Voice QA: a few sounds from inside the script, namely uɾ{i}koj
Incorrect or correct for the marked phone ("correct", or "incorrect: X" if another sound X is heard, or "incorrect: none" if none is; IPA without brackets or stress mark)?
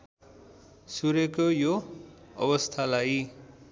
incorrect: e